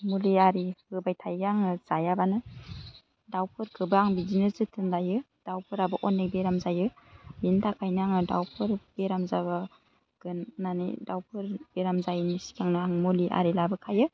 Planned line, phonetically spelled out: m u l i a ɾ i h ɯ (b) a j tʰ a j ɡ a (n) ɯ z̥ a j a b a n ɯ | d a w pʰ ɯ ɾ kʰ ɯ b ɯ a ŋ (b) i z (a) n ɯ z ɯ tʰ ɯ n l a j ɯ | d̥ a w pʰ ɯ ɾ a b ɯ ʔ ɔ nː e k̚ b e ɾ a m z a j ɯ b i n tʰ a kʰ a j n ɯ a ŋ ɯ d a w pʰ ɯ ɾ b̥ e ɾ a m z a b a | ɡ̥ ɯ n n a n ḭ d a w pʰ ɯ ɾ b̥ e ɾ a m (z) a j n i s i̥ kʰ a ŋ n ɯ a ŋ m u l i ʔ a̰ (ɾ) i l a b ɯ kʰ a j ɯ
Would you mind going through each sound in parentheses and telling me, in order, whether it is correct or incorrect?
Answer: correct, incorrect: ŋ, correct, incorrect: i, correct, correct

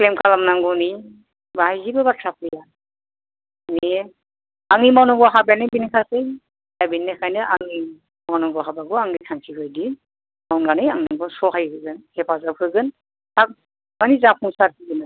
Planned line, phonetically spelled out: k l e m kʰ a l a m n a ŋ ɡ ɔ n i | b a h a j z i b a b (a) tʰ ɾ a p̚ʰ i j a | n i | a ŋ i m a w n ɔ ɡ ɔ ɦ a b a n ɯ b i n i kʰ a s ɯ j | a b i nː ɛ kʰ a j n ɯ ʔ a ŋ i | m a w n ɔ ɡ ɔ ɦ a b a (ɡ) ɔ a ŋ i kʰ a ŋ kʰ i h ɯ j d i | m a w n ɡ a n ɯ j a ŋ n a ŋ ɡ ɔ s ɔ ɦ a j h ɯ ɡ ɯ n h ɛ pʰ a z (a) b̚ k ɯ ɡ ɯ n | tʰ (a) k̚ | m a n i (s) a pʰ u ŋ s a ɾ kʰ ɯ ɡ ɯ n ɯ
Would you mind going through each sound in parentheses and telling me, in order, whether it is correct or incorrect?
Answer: correct, correct, correct, correct, incorrect: z

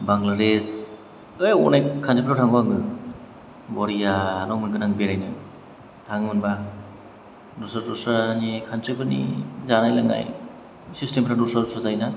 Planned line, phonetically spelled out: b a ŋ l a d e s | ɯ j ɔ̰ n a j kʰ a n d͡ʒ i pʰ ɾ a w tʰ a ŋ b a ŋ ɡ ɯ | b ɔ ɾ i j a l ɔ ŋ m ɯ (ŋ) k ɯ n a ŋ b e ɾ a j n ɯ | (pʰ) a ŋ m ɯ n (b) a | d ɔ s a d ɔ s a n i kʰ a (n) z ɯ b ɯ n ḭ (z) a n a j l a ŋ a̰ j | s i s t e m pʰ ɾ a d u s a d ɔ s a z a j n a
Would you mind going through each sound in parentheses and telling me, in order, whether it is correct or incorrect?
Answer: incorrect: n, incorrect: tʰ, correct, correct, correct

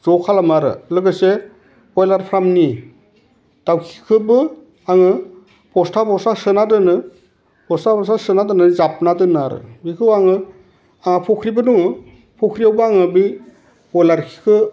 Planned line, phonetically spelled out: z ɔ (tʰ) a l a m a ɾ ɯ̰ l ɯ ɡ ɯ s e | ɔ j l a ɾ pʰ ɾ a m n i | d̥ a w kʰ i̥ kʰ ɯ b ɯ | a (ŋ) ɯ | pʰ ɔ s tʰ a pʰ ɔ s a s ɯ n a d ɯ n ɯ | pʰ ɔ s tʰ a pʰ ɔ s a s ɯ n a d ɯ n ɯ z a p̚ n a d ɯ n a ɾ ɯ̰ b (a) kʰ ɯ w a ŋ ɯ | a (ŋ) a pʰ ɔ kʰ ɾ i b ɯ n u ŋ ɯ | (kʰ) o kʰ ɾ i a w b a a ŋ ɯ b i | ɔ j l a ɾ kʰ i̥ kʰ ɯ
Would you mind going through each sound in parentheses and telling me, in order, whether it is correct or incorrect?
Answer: incorrect: kʰ, correct, incorrect: i, correct, incorrect: pʰ

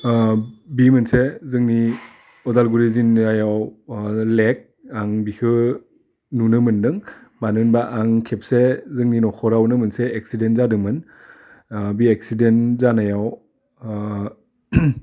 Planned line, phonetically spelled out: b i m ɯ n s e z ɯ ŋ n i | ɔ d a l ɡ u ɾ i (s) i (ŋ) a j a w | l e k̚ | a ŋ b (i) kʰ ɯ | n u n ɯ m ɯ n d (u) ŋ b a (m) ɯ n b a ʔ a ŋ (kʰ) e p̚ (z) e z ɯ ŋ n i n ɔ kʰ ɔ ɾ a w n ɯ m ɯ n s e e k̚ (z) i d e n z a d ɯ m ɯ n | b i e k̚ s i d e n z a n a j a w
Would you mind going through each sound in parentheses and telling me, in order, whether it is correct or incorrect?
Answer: incorrect: z, incorrect: n, correct, incorrect: ɯ, incorrect: n, correct, incorrect: s, incorrect: s

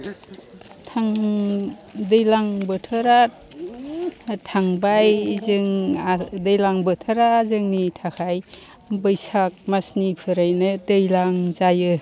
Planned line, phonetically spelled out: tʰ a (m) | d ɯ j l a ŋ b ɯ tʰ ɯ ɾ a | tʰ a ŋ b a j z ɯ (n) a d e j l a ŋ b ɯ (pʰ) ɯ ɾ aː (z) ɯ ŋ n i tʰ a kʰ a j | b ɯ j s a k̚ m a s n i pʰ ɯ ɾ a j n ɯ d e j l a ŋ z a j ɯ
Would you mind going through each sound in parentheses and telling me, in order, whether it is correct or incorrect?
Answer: incorrect: ŋ, incorrect: ŋ, incorrect: tʰ, correct

